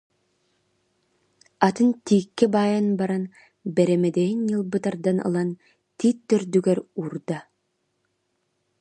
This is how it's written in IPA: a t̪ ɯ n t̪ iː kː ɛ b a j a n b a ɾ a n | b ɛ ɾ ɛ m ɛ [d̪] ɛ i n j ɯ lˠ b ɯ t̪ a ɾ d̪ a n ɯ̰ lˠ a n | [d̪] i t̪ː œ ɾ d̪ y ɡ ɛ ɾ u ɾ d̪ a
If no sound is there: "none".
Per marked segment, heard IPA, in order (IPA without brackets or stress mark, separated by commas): d̪, t̪